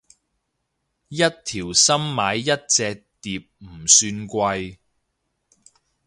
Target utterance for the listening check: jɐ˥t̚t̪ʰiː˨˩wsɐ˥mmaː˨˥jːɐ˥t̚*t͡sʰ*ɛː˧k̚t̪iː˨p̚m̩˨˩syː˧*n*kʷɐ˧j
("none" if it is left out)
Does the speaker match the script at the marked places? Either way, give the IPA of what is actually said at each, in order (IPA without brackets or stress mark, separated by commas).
t͡s, n